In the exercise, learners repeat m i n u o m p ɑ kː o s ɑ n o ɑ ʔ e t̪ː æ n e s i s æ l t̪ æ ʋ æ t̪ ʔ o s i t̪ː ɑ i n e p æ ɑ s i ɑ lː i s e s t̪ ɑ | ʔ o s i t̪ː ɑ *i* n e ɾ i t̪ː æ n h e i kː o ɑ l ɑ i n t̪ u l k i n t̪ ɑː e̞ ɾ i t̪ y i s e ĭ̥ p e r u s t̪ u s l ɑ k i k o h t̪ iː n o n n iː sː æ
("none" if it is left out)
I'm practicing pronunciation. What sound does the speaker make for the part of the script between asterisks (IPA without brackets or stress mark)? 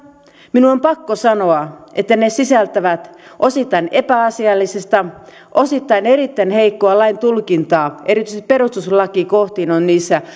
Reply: i